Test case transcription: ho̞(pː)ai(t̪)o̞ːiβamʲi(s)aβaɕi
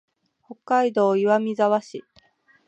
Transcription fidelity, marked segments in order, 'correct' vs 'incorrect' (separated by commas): incorrect, incorrect, incorrect